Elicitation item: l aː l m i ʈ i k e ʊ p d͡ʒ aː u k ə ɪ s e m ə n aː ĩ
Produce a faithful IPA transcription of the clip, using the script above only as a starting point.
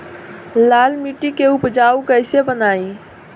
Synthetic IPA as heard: l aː l m i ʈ i k e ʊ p d͡ʒ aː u k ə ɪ s e b ə n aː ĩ